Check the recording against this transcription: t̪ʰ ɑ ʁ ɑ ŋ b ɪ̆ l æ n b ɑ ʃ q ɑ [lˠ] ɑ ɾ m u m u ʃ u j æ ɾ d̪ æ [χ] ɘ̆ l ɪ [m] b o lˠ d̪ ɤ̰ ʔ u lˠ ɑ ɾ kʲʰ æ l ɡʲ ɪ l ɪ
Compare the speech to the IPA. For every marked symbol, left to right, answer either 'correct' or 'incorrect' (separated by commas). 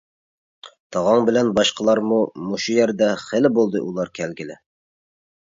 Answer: correct, correct, incorrect